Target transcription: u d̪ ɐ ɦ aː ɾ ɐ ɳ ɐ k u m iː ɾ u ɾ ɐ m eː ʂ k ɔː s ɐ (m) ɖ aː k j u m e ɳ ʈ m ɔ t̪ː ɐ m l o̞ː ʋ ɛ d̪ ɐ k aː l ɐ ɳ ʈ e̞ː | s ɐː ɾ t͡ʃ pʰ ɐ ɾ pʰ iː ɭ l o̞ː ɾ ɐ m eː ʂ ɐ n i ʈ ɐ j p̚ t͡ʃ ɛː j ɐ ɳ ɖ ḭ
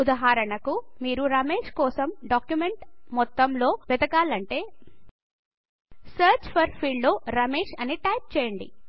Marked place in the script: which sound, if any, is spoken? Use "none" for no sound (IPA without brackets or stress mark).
m